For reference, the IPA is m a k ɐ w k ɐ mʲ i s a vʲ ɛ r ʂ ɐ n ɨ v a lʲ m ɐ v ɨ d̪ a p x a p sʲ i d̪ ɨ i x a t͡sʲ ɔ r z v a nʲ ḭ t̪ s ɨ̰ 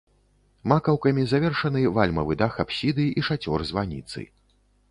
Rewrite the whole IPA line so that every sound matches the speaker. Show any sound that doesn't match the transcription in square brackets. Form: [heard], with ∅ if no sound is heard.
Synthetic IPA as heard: m a k ɐ w k ɐ mʲ i [z] a vʲ ɛ r ʂ ɐ n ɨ v a lʲ m ɐ v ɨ d̪ a [∅] x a p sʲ i d̪ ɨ i [ʂ] a t͡sʲ ɔ r z v a nʲ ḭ t̪ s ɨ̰